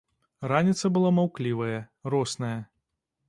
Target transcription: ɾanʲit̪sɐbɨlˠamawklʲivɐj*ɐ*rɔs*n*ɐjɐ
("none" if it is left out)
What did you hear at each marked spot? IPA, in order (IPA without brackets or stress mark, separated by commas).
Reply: ɐ, n